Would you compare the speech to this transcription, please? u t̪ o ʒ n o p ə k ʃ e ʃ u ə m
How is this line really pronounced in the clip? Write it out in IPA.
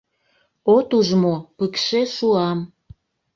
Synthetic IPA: o t̪ u ʒ m o p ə k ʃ e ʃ u ɑ m